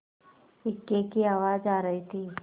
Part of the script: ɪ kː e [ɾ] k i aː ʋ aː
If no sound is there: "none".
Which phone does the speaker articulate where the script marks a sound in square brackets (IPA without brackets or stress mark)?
none